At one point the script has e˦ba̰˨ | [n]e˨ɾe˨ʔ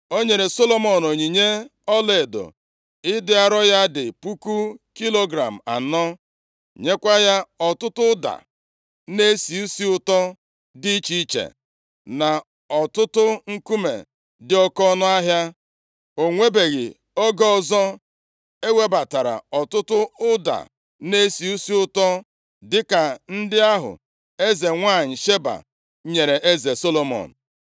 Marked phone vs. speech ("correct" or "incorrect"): incorrect